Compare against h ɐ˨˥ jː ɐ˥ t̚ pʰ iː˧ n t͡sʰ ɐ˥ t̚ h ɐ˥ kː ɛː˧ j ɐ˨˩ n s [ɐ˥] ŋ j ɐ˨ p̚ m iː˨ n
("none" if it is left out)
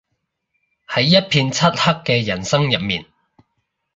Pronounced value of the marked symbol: ɐ˥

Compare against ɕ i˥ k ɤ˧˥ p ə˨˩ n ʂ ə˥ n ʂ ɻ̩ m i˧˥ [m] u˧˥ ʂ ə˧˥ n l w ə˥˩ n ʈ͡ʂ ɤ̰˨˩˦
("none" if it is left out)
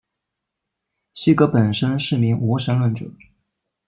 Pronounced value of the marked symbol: ŋ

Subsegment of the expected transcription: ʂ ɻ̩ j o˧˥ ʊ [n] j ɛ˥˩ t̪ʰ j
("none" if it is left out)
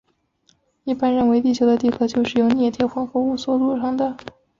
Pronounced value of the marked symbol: n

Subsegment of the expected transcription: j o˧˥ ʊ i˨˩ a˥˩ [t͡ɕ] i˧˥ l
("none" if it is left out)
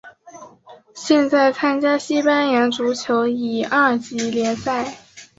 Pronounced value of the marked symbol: t͡ɕ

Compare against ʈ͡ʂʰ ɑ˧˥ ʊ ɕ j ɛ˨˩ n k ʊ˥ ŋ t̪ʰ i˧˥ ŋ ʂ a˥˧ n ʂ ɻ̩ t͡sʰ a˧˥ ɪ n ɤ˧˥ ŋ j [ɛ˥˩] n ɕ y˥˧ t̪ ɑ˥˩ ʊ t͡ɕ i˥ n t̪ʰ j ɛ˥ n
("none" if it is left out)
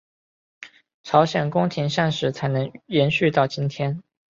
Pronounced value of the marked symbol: ɛ˧˥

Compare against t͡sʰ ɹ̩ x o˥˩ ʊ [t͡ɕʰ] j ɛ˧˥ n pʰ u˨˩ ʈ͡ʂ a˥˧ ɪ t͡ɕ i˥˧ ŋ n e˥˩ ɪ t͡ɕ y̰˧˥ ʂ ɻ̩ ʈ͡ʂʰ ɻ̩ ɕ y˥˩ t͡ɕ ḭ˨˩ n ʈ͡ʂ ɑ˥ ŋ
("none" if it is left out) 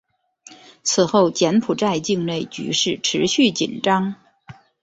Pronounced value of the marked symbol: t͡ɕ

